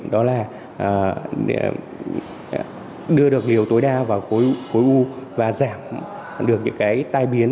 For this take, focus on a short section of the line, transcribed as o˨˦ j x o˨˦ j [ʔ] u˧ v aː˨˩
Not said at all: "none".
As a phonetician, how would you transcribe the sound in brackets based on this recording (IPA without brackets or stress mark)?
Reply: ʔ